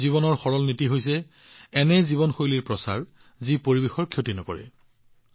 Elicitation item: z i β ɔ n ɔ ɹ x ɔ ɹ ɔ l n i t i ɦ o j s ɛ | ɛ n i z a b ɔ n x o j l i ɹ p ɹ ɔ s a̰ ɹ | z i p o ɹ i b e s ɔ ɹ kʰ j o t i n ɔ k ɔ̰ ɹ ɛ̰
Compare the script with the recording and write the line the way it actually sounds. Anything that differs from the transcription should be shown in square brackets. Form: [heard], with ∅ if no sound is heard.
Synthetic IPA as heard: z i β ɔ n ɔ ɹ x ɔ ɹ ɔ l n i t i ɦ o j s ɛ | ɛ n [ɛ] z [i] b ɔ n x o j l i ɹ p ɹ ɔ s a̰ ɹ | z i p o ɹ i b e [x] ɔ ɹ kʰ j o t i n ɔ k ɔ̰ ɹ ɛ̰